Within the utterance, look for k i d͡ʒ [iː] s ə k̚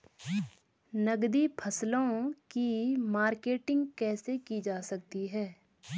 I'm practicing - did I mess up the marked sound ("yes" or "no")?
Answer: yes